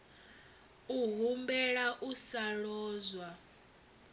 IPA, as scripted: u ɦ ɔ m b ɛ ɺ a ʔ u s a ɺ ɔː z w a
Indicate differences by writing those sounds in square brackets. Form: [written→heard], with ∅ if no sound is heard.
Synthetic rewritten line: u ɦ [ɔ→u] m b ɛ ɺ a ʔ u s a ɺ ɔː z w a